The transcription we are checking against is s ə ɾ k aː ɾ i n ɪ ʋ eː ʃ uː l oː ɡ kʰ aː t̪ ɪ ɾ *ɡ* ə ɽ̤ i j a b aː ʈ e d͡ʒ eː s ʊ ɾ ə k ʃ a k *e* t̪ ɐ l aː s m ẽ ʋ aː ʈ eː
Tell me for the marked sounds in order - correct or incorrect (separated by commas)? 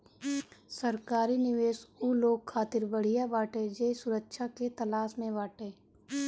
incorrect, correct